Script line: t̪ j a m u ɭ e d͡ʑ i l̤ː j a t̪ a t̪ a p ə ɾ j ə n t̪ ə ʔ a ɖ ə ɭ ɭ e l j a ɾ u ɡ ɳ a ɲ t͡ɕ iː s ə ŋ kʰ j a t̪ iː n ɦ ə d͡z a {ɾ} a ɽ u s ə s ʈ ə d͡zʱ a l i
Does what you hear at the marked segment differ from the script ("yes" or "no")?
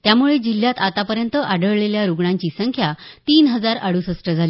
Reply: no